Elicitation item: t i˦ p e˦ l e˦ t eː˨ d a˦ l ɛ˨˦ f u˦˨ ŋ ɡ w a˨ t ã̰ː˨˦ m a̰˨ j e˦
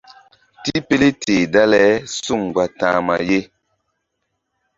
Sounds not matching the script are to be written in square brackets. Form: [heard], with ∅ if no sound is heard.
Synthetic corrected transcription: t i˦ p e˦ l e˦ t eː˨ d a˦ l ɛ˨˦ [s] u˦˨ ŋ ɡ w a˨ t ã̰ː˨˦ m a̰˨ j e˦